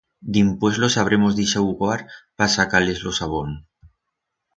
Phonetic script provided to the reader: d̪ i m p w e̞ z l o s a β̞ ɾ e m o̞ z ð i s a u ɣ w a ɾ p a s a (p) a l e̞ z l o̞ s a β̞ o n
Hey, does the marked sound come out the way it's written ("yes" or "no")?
no